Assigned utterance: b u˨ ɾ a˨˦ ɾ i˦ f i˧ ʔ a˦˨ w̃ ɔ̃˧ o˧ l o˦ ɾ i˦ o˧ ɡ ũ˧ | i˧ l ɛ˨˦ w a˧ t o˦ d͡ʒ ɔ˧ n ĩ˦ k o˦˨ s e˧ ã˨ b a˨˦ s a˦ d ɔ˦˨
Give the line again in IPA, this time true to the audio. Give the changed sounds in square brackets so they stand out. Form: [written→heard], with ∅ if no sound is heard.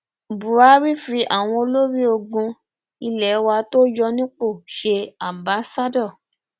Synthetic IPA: b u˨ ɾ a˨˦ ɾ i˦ f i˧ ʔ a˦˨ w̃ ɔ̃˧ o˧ l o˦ ɾ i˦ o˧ ɡ ũ˧ | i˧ l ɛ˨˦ w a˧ t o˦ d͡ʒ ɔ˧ n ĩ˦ [k→k͡p] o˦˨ [s→ʃ] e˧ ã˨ b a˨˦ s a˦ d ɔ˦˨

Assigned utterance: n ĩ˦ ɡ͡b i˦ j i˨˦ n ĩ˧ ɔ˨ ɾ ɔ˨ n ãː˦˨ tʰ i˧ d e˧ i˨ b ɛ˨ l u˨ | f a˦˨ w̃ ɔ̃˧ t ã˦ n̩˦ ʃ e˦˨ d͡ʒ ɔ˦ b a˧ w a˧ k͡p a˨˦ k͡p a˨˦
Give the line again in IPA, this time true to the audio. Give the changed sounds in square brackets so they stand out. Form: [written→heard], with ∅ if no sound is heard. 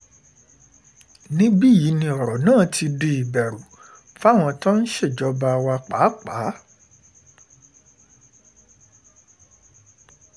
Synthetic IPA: n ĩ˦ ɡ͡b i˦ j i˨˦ n ĩ˧ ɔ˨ ɾ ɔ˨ n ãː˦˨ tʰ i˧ d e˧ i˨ b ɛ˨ [l→ɾ] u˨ | f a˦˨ w̃ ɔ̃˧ t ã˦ n̩˦ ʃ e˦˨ d͡ʒ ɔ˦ b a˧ w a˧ k͡p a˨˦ k͡p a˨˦

